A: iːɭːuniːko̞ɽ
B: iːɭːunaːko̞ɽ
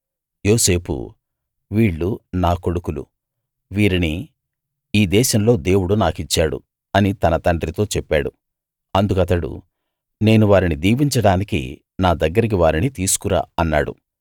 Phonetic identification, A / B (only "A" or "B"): B